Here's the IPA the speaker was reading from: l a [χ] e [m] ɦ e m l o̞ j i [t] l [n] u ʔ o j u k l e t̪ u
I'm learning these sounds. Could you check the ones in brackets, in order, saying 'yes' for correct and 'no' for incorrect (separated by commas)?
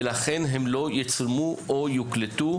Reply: yes, no, no, no